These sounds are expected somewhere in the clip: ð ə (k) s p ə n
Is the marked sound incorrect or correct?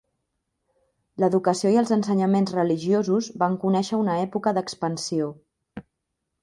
correct